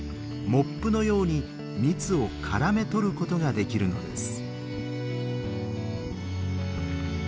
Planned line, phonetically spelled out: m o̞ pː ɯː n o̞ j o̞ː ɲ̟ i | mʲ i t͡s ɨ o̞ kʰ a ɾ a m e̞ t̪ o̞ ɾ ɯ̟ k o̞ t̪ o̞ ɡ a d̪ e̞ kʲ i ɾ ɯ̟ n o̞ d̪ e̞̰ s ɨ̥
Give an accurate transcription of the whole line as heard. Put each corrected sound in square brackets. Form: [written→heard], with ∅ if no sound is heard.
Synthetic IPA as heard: m o̞ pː [ɯː→ɯ] n o̞ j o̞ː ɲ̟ i | mʲ i t͡s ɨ o̞ kʰ a ɾ a m e̞ t̪ o̞ ɾ ɯ̟ k o̞ t̪ o̞ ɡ a d̪ e̞ kʲ i ɾ ɯ̟ n o̞ d̪ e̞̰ s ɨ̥

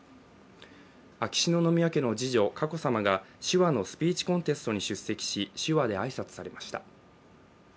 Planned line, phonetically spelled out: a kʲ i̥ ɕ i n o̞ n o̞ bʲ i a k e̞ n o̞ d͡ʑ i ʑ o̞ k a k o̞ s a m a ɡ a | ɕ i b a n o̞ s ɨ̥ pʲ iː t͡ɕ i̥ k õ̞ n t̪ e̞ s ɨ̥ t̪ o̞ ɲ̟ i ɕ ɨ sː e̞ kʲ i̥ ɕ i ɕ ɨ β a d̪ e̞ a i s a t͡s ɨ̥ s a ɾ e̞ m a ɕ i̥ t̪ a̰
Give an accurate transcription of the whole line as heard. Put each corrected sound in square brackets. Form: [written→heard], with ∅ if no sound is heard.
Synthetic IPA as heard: a kʲ i̥ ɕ i n o̞ n o̞ [bʲ→mʲ] i a k e̞ n o̞ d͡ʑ i ʑ o̞ k a k o̞ s a m a ɡ a | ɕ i [b→β] a n o̞ s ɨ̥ pʲ iː t͡ɕ i̥ k õ̞ n t̪ e̞ s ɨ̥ t̪ o̞ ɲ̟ i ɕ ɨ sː e̞ kʲ i̥ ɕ i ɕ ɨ β a d̪ e̞ a i s a t͡s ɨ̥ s a ɾ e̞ m a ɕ i̥ t̪ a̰

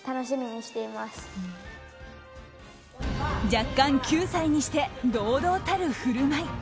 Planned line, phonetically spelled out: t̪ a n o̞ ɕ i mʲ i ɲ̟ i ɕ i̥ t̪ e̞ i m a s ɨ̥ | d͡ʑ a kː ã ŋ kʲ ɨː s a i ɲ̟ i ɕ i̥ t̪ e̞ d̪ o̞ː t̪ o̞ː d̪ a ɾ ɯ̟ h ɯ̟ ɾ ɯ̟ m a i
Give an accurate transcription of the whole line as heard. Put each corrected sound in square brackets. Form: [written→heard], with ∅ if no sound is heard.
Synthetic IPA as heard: t̪ a n o̞ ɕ i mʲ i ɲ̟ i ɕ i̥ t̪ e̞ i m a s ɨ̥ | d͡ʑ a kː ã ŋ kʲ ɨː s a i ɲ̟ i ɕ i̥ t̪ e̞ d̪ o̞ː [t̪→d̪] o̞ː [d̪→t̪] a ɾ ɯ̟ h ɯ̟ ɾ ɯ̟ m a i

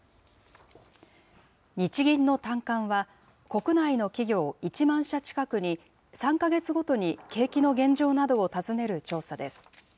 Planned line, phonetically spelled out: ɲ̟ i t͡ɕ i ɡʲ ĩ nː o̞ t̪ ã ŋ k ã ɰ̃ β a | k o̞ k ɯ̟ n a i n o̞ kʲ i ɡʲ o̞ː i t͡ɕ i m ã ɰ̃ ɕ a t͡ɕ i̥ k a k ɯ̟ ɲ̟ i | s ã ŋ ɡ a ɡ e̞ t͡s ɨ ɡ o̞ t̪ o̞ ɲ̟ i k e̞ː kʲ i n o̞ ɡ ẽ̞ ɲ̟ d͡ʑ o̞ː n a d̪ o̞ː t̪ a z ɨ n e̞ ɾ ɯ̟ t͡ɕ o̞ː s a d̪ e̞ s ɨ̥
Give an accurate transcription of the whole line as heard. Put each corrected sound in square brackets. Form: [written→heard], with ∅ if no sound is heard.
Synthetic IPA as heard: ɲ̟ i t͡ɕ i ɡʲ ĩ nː o̞ t̪ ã ŋ k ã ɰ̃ β a | k o̞ k ɯ̟ n a i n o̞ kʲ i ɡʲ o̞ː i t͡ɕ i m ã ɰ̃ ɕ a t͡ɕ i̥ k a k ɯ̟ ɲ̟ i | s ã ŋ [ɡ→k] a ɡ e̞ t͡s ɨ ɡ o̞ t̪ o̞ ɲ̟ i k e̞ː kʲ i n o̞ ɡ ẽ̞ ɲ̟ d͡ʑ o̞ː n a d̪ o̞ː t̪ a z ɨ n e̞ ɾ ɯ̟ t͡ɕ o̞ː s a d̪ e̞ s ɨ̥

